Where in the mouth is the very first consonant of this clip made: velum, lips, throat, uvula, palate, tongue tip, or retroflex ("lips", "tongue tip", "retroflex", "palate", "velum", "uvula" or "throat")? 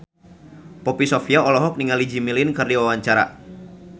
lips